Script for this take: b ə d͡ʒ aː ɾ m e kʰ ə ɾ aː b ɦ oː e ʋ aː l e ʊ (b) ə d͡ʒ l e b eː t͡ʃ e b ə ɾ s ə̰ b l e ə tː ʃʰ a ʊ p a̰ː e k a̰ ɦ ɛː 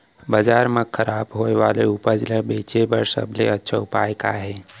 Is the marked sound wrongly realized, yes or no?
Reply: yes